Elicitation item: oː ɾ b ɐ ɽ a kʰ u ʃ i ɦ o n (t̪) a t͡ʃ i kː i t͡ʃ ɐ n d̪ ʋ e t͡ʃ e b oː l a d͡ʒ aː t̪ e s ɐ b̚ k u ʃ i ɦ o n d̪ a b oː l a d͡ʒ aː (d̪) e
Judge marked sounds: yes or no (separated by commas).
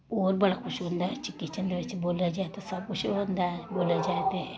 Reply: no, no